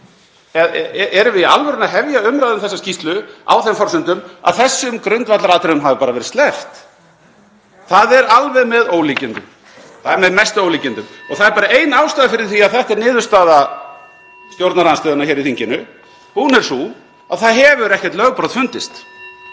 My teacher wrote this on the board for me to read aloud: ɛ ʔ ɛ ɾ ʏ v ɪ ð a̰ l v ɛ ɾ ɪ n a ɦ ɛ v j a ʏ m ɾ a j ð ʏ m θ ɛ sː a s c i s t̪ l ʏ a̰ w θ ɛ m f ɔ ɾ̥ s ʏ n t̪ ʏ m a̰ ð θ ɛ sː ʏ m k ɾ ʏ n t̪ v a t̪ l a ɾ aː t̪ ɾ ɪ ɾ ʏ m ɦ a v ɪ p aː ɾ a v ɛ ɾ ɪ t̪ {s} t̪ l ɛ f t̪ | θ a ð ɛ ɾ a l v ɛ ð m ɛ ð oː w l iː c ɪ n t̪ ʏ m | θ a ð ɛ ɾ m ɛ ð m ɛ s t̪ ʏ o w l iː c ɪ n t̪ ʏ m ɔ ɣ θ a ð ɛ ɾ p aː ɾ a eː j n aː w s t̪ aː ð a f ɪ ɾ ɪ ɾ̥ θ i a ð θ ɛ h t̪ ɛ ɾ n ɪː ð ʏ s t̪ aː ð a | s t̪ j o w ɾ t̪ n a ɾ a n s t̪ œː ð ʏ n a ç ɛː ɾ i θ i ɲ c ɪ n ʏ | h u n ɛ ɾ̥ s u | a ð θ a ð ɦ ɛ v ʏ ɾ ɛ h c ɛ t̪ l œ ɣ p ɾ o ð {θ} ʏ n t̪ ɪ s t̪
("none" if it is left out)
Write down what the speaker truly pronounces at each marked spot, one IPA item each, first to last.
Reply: s, f

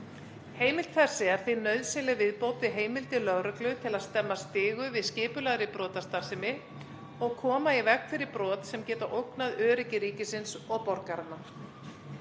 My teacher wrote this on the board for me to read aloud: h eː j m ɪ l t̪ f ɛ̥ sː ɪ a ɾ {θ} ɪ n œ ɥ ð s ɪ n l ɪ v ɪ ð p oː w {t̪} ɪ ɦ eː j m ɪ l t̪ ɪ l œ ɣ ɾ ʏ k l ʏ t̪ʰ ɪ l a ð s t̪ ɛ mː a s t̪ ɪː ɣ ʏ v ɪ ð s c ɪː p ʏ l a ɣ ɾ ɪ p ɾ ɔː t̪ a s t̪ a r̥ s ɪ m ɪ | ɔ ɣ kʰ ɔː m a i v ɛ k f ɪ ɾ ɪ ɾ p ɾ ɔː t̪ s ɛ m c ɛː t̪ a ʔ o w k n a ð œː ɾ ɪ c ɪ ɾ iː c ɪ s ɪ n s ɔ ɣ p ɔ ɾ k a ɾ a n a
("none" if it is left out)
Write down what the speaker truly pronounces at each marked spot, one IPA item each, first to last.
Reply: θ, t̪

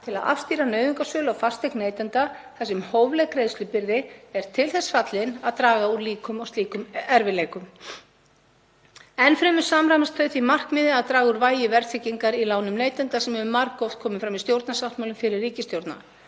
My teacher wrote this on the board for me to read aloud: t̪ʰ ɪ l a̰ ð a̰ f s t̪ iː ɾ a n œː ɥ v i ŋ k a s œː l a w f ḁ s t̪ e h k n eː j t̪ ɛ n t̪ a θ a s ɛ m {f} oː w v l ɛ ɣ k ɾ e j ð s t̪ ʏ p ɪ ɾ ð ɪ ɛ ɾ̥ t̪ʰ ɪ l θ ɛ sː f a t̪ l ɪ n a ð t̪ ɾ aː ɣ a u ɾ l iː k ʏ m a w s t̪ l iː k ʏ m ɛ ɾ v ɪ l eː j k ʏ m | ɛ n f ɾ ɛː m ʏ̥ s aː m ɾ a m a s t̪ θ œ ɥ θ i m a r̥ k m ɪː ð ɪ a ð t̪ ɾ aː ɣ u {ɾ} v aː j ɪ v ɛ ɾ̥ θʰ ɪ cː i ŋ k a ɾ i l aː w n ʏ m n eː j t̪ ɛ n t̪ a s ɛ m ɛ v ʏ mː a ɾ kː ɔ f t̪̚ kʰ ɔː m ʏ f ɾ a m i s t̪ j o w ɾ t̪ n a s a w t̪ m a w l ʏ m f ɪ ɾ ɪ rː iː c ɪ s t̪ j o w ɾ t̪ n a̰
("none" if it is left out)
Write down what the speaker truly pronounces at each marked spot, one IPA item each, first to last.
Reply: h, ɾ

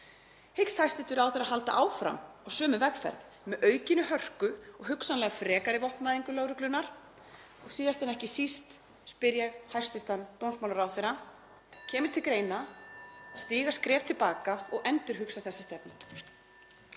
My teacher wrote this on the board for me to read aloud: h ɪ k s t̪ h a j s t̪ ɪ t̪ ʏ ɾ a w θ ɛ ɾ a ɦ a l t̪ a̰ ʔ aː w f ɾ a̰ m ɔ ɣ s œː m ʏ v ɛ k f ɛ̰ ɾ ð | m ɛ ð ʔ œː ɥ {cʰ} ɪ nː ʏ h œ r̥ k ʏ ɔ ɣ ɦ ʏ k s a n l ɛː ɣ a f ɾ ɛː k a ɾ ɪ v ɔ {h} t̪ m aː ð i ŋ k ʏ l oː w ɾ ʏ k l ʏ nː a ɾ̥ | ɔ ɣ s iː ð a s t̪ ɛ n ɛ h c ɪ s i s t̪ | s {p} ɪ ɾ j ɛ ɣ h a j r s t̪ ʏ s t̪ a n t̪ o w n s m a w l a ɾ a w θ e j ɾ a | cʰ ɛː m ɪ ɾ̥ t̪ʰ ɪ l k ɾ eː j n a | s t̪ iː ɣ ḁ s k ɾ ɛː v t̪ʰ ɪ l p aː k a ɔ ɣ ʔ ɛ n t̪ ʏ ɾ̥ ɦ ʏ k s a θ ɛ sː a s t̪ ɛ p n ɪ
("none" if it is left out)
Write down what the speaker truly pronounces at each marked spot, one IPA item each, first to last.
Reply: c, h, p

